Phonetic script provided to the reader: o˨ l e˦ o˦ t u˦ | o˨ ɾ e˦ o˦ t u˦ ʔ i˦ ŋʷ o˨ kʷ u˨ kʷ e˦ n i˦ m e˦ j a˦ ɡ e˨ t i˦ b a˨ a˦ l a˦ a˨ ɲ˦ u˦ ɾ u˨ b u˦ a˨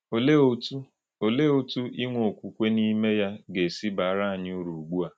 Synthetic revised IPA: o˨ l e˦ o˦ t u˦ | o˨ l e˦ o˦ t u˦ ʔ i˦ ŋʷ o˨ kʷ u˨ kʷ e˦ n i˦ m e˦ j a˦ ɡ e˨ s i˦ b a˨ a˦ ɾ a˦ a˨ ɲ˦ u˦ ɾ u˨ ɡ͡b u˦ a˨